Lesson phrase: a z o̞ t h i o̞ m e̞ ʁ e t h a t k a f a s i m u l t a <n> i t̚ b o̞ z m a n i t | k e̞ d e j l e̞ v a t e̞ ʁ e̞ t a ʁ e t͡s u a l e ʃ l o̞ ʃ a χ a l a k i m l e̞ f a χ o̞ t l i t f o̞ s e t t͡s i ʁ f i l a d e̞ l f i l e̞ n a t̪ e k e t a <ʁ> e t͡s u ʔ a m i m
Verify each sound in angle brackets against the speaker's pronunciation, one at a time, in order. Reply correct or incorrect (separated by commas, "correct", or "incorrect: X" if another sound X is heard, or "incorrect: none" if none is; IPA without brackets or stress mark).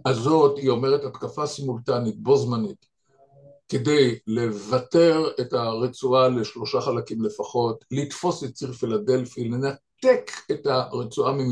correct, correct